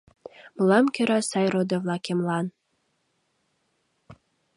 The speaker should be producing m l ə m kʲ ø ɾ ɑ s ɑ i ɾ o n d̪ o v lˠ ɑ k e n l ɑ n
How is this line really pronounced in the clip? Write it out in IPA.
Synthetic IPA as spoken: m l ɑ m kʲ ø ɾ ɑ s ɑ j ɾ o d̪ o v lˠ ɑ k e m l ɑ n